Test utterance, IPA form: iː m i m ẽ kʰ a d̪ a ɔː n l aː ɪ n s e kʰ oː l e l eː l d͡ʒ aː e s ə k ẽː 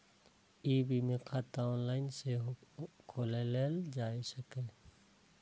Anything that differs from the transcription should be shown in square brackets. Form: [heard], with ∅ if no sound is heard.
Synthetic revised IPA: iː [b] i m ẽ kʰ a [t̪] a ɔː n l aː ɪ n s e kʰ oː l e l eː l d͡ʒ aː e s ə k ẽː

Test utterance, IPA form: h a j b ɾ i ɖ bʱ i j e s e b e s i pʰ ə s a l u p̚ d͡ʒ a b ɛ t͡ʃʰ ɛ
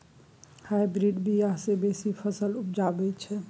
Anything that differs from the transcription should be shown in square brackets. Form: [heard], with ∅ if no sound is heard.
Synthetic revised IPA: h a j b ɾ i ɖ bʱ i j [a] s e b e s i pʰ ə s [ə] l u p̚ d͡ʒ a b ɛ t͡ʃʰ ɛ

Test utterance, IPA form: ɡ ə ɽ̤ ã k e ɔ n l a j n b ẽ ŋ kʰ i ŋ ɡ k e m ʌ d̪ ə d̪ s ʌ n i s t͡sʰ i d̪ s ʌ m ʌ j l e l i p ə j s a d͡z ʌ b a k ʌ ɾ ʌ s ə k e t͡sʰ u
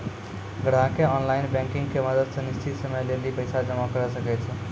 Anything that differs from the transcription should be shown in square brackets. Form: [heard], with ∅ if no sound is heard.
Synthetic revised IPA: ɡ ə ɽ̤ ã k e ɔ n l a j n b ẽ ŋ [k] i ŋ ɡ k e m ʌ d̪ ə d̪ s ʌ n i s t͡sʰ i [t̪] s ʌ m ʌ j l e l i p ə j s a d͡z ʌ [m] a k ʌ ɾ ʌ s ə k e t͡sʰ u

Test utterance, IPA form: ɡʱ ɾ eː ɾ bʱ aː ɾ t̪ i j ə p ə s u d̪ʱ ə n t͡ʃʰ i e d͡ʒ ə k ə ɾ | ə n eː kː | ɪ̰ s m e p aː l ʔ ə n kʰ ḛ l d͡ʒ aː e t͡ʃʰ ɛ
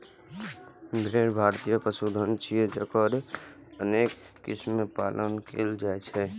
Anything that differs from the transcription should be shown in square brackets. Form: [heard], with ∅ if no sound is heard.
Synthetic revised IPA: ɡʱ ɾ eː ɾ bʱ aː ɾ t̪ i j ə p ə s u d̪ʱ ə n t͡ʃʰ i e d͡ʒ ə k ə ɾ | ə n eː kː | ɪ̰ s m e p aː l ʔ ə n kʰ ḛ l d͡ʒ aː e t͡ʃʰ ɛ

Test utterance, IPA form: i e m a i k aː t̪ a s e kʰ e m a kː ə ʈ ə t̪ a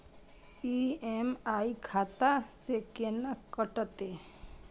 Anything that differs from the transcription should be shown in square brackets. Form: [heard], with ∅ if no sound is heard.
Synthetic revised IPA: i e m a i [kʰ] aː t̪ a s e [k] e [n] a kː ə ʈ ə t̪ [e]

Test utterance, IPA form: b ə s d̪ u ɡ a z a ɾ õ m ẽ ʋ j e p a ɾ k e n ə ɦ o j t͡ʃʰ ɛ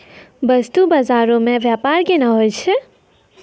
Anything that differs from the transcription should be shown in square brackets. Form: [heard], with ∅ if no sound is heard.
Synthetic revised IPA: b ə s [t̪] u [b] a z a ɾ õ m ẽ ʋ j [a] p a ɾ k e n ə ɦ o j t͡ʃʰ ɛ

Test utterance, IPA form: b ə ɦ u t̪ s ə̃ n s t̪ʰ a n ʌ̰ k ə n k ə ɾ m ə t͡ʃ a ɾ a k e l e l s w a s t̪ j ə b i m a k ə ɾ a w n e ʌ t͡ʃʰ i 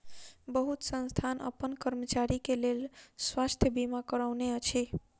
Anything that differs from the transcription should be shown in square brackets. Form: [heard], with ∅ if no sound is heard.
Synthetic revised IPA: b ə ɦ u t̪ s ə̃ n s t̪ʰ a n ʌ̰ [p] ə n k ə ɾ m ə t͡ʃ a ɾ [i] k e l e l s w a s [t̪ʰ] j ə b i m a k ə ɾ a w n e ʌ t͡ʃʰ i

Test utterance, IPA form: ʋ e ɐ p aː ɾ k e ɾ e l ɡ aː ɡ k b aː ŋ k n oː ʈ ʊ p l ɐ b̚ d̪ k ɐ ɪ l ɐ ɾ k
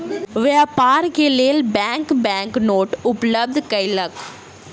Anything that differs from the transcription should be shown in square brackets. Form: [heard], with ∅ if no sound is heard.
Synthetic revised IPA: ʋ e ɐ p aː ɾ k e [l] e l [b] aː [ŋ] k b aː ŋ k n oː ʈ ʊ p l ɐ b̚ d̪ k ɐ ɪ l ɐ [∅] k

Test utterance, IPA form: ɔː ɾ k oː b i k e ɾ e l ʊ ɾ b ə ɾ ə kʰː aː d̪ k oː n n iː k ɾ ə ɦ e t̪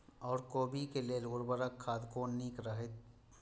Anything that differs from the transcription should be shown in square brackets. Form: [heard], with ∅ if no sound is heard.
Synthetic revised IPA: ɔː ɾ k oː b i k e [l] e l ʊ ɾ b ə ɾ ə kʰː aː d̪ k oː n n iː k ɾ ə ɦ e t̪

